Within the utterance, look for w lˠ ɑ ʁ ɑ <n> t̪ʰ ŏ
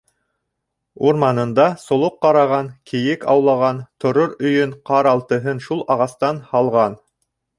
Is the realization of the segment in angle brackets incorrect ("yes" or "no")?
no